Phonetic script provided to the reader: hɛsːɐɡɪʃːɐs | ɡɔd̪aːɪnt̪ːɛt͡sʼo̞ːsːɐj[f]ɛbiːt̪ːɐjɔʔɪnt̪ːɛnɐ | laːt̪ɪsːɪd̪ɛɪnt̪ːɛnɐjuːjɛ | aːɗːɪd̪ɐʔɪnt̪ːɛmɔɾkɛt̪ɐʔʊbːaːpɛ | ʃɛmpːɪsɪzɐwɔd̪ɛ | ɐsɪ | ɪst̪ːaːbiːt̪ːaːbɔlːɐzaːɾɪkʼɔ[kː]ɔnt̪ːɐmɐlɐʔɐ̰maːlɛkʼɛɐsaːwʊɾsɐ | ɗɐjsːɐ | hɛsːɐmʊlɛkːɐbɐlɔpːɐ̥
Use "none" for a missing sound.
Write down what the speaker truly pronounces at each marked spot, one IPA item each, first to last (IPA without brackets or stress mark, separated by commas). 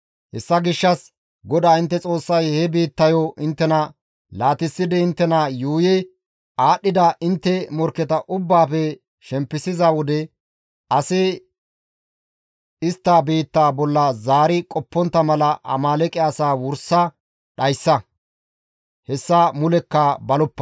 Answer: h, pː